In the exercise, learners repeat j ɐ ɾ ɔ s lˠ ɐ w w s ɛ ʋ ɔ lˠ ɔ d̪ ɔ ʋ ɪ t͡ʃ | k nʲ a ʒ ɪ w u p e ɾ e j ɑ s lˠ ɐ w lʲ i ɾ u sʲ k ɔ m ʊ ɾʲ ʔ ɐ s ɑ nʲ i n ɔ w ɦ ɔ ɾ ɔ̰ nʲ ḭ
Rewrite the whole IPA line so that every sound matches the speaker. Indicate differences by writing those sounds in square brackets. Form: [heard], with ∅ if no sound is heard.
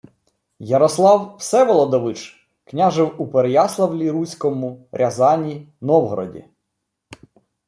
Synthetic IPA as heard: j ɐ ɾ ɔ s lˠ [ɑ] w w s ɛ ʋ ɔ lˠ ɔ d̪ ɔ ʋ ɪ t͡ʃ | k nʲ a ʒ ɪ w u p e ɾ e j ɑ s lˠ ɐ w lʲ i ɾ u sʲ k ɔ m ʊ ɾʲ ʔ ɐ [z] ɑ nʲ i n ɔ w ɦ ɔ ɾ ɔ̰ [dʲ] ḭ